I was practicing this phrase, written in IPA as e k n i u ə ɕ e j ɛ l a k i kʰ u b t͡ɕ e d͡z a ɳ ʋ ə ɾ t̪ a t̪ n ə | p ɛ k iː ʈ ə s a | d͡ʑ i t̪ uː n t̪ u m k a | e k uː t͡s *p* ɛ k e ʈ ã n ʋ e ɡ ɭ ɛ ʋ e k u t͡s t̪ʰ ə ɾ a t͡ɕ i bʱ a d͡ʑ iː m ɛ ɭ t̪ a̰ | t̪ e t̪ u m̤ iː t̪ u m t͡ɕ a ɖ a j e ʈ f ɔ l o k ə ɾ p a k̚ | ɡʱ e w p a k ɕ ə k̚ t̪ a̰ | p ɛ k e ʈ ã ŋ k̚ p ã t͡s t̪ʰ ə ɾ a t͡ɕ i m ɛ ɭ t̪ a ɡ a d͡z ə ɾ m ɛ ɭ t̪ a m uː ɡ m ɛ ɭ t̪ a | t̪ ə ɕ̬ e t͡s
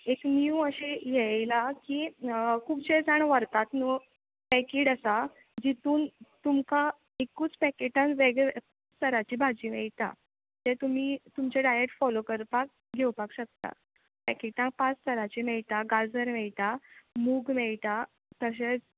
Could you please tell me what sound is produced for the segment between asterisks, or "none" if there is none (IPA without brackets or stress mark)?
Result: p